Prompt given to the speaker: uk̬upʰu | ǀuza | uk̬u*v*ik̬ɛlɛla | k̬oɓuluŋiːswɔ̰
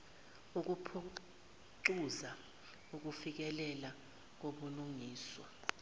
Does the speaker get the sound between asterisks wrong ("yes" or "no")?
yes